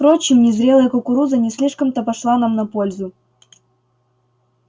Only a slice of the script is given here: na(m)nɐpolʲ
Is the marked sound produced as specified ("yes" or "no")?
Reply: yes